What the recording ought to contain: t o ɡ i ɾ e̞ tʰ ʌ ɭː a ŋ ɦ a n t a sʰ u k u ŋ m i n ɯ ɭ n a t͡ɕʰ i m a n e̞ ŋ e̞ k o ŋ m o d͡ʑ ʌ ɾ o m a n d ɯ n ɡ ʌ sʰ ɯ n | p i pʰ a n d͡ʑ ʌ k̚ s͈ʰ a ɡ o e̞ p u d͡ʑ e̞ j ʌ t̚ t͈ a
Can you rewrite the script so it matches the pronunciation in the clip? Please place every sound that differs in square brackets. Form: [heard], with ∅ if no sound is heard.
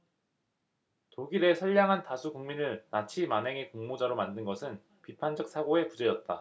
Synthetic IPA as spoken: t o ɡ i ɾ e̞ [sʰ] ʌ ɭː a ŋ ɦ a n t a sʰ u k u ŋ m i n ɯ ɭ n a t͡ɕʰ i m a n e̞ ŋ e̞ k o ŋ m o d͡ʑ [a] ɾ o m a n d ɯ n ɡ ʌ sʰ ɯ n | p i pʰ a n d͡ʑ ʌ k̚ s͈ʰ a ɡ o e̞ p u d͡ʑ e̞ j ʌ t̚ t͈ a